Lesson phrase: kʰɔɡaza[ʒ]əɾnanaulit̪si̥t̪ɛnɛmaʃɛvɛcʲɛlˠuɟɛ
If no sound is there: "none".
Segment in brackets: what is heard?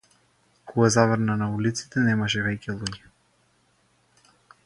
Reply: v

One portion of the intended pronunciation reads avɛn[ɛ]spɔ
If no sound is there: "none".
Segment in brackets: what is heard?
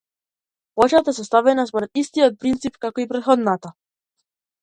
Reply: a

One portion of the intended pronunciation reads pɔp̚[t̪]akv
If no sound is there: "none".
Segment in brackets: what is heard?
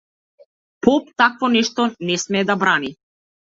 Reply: t̪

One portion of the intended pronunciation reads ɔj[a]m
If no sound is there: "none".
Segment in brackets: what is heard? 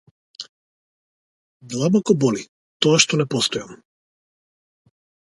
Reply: a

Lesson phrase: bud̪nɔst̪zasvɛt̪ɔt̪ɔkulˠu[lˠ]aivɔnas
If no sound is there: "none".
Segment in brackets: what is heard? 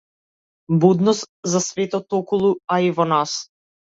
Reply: none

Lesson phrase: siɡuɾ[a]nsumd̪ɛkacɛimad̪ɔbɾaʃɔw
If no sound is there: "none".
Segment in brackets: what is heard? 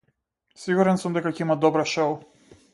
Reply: ɛ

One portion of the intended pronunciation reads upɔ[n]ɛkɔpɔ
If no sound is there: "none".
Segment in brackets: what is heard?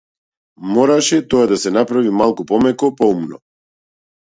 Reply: m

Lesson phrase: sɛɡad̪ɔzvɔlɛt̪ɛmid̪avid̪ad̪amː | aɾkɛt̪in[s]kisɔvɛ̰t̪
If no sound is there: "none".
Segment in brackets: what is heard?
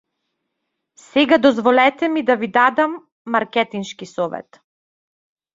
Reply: ʃ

